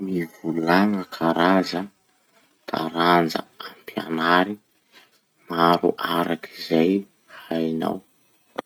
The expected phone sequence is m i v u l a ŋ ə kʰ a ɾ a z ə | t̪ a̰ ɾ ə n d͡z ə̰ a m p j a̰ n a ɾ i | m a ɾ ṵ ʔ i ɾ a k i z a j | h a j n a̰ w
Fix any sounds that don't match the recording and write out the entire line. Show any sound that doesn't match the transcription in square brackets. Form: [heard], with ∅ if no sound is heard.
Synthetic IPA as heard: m i v u l a ŋ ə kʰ a ɾ a z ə | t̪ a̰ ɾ [a] n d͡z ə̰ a m p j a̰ n a ɾ i | m a ɾ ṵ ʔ [a] ɾ a k i z a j | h a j n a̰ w

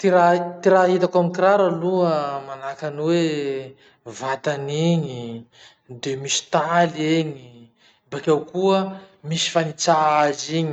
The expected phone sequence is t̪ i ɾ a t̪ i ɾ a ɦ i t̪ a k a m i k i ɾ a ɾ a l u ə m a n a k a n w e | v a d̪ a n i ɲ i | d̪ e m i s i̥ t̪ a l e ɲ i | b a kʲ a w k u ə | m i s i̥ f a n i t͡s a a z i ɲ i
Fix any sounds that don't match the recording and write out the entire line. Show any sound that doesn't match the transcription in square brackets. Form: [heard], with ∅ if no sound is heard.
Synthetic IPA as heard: t̪ i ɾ a t̪ i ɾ a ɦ i t̪ a k a m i k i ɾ a ɾ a l u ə m a n a k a n w e | v a [t̪] a n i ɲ i | d̪ e m i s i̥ t̪ a l e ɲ i | b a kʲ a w k u ə | m i s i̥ f a n i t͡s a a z i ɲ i

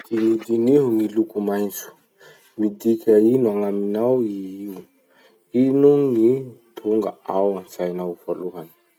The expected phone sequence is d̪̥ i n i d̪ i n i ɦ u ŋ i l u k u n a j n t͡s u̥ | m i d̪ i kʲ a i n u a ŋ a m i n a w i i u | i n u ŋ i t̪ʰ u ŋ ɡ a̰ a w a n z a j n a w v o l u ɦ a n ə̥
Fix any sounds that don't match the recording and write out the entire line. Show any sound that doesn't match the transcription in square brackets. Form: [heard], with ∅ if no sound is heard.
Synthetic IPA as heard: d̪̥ i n i d̪ i n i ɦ u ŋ i l u k u [m] a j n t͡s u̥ | m i d̪ i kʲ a i n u a ŋ a m i n a w i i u | i n u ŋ i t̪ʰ u ŋ ɡ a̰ a w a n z a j n a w v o l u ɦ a n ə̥

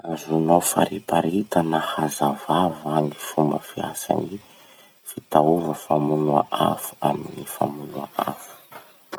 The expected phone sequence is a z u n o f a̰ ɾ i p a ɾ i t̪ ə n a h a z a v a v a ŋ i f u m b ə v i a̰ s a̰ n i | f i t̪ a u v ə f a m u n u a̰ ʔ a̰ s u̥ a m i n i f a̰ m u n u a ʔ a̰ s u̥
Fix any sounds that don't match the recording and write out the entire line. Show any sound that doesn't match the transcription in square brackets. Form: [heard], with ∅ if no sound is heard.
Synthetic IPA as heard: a z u n o f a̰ ɾ i p a ɾ i t̪ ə n a h a z a v a v a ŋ i f u m b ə [f] i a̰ s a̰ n i | f i t̪ a u v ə f a m u n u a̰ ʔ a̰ [f] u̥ a m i n i f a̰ m u n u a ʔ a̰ [f] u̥

